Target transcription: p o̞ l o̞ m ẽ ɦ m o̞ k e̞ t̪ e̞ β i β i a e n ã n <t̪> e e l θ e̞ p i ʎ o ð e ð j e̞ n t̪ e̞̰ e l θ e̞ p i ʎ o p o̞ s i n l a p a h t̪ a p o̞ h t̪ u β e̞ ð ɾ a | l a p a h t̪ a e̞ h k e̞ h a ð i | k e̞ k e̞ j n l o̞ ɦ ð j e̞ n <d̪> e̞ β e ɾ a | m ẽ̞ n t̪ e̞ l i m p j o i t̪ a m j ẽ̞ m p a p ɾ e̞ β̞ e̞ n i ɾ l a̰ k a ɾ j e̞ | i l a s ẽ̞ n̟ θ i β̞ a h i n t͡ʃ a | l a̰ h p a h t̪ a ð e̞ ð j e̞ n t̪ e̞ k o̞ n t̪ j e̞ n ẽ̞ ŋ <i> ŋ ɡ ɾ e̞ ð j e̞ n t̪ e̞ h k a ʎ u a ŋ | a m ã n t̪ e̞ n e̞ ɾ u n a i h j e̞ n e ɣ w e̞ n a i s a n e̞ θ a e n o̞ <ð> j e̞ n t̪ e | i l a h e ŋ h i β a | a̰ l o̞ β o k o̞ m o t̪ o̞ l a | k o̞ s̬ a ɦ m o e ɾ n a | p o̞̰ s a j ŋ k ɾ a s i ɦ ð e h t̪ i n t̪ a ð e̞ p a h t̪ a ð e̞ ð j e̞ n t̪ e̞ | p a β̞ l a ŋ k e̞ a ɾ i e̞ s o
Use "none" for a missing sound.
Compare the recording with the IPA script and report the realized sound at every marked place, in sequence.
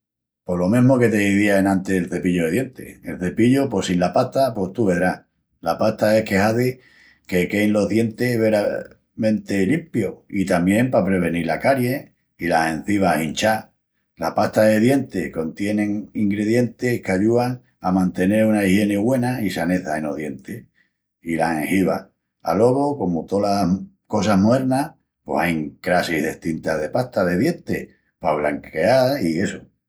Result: t̪, t̪, i, ð

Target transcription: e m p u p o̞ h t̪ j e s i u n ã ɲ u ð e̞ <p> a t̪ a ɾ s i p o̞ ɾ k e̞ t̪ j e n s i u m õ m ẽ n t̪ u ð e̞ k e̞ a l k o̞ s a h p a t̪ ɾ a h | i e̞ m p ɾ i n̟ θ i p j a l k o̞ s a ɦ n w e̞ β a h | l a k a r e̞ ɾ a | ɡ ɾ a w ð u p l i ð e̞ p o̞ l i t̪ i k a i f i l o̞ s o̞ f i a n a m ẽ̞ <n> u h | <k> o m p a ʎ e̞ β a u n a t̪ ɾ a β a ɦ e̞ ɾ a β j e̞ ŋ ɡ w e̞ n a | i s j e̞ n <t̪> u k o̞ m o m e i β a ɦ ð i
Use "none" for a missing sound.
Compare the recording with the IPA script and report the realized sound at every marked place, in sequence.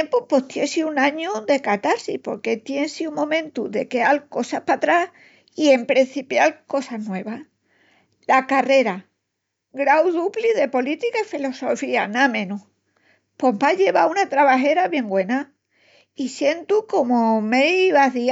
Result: k, n, p, t̪

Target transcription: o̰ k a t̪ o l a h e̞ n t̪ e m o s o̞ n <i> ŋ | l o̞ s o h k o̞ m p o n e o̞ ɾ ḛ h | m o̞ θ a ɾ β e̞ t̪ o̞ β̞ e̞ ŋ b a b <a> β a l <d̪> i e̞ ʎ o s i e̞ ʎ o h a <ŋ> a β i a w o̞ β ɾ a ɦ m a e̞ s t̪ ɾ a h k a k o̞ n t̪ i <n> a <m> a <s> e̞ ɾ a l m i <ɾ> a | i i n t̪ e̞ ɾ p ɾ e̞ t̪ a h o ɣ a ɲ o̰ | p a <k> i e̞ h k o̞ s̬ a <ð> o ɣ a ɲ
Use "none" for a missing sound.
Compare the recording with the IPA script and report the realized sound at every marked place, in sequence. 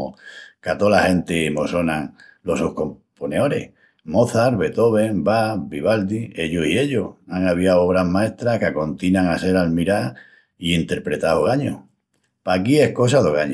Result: a, i, d̪, ŋ, n, ŋ, s, ɾ, k, ð

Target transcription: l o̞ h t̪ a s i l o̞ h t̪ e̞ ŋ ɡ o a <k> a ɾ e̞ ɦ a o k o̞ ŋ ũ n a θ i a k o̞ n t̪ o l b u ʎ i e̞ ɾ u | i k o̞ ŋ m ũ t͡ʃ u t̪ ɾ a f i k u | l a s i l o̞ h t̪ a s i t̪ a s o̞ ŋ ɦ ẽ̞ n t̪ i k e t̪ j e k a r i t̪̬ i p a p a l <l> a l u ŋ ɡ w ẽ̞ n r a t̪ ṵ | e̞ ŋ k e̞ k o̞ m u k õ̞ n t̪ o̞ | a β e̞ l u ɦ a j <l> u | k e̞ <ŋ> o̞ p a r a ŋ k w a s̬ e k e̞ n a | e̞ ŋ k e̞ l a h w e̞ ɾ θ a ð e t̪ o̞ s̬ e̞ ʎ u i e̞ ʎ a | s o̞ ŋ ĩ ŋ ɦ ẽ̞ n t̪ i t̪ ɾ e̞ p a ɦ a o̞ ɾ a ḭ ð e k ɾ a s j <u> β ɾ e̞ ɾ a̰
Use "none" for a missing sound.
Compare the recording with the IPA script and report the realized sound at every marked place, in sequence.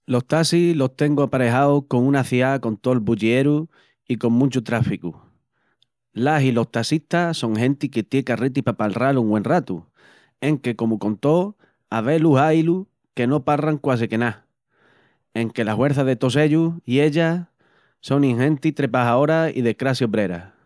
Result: p, r, l, n, o

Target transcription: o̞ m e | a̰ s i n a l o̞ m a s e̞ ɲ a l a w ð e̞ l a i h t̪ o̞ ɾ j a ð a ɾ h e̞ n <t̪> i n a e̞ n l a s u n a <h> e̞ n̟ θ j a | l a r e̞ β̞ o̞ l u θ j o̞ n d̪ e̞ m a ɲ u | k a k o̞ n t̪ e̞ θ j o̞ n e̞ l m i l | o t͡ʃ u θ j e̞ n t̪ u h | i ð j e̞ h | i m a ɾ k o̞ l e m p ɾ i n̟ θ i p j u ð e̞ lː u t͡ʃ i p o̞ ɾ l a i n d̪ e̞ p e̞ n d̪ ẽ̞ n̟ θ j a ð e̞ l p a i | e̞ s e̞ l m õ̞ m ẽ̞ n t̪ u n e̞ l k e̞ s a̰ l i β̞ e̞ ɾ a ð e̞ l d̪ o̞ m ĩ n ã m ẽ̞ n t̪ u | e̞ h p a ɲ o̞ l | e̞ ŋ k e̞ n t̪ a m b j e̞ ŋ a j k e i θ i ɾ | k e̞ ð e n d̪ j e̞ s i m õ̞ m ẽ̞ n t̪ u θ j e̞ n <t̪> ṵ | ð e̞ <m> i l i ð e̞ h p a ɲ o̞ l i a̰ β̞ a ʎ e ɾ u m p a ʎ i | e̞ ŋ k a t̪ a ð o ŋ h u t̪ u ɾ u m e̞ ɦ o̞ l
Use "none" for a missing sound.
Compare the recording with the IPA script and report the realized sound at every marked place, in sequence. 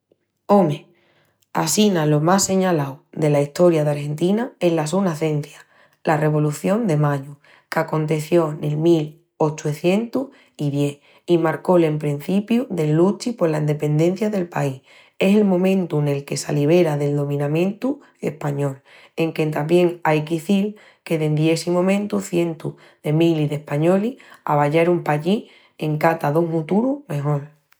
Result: t̪, θ, t̪, m

